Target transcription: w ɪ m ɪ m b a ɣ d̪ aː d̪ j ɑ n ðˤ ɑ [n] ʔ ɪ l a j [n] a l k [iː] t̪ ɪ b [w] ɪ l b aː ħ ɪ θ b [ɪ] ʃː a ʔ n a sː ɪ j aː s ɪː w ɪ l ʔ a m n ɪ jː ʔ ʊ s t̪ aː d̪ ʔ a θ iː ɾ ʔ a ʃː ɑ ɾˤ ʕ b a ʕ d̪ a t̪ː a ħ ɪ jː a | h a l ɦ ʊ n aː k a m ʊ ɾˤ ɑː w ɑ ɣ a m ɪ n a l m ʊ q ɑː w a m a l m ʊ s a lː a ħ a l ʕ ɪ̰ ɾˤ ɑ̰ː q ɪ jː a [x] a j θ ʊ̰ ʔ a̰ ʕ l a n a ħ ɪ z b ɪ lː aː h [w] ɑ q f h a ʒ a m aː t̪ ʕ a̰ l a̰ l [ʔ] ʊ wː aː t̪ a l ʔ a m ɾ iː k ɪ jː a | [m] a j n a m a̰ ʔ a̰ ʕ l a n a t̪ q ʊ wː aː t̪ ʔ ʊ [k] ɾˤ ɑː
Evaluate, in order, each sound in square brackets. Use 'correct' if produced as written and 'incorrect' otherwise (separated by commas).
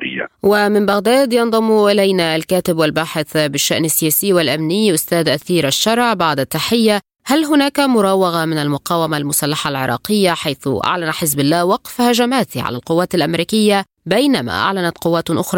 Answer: incorrect, correct, incorrect, correct, correct, incorrect, correct, incorrect, incorrect, incorrect